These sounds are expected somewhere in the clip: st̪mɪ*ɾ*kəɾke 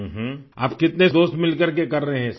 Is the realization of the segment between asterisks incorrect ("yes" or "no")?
yes